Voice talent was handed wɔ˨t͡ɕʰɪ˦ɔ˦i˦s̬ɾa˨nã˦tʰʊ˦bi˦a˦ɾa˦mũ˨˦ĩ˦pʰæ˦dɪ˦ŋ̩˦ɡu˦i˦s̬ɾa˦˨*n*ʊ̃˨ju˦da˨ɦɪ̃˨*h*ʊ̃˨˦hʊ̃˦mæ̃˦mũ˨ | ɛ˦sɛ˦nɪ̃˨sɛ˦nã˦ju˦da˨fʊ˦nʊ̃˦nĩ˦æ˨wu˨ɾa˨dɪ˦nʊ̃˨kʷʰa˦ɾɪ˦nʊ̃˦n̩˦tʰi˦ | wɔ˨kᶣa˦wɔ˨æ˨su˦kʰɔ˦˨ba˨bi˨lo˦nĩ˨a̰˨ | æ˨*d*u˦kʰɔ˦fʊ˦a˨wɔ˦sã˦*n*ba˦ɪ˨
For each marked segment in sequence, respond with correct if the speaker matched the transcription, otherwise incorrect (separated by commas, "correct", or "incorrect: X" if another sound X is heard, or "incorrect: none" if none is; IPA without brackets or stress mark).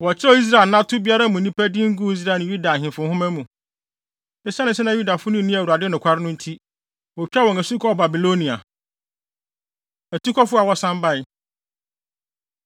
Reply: correct, incorrect: f, incorrect: t, incorrect: m